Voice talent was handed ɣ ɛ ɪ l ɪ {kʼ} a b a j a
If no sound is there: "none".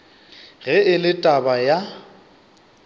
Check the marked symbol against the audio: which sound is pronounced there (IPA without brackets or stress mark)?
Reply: tʼ